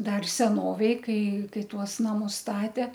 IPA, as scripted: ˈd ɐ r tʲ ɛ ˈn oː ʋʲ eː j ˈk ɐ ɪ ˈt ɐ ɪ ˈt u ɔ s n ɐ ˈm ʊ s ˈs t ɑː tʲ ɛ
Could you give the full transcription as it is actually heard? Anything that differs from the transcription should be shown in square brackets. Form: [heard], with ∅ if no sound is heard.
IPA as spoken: ˈd ɐ r [sʲ] ɛ ˈn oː ʋʲ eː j ˈk ɐ ɪ [ˈk] ɐ ɪ ˈt u ɔ s n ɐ ˈm ʊ s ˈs t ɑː tʲ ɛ